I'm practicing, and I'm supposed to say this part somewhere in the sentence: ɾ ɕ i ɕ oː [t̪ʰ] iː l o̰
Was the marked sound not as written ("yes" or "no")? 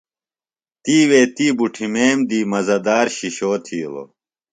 no